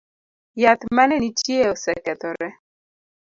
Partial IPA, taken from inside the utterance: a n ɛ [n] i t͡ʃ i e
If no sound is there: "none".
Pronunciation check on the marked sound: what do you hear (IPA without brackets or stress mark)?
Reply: n